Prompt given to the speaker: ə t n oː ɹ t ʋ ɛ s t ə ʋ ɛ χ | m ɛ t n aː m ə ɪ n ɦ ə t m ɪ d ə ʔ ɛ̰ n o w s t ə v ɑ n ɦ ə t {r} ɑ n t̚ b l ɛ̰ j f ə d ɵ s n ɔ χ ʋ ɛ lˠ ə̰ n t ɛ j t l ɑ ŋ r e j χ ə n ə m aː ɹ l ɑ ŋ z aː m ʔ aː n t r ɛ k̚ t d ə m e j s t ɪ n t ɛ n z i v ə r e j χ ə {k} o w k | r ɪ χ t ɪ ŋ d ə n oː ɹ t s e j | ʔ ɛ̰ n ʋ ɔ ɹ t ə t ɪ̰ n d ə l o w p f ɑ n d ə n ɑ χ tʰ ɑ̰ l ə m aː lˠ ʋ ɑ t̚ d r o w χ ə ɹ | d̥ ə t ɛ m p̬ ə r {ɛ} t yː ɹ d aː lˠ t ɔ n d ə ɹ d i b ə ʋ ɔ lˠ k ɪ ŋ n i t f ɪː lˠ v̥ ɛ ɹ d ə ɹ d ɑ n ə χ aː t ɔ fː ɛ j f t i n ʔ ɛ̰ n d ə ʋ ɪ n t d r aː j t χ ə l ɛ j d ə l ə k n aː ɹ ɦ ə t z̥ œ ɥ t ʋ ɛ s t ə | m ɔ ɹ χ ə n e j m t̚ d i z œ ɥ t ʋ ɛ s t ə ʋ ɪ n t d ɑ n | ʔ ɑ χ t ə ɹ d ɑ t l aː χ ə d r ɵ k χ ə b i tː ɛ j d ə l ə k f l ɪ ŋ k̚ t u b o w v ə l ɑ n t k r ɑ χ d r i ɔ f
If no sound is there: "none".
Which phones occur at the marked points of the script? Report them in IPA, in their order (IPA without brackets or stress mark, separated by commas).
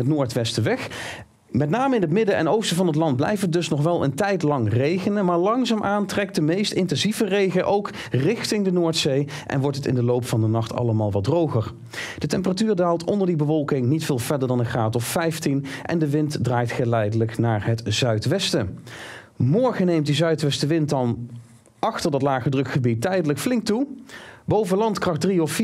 l, ʔ, a